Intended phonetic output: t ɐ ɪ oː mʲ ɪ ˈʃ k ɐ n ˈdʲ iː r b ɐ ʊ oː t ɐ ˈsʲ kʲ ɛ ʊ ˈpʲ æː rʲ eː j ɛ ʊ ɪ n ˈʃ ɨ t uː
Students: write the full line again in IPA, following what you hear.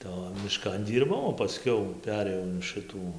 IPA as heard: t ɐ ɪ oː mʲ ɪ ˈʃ k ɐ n ˈdʲ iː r b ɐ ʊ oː p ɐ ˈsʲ kʲ ɛ ʊ ˈpʲ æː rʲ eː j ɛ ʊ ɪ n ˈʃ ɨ t uː